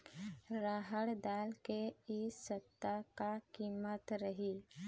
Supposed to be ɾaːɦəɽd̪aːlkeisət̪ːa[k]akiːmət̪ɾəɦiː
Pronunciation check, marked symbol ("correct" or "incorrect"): correct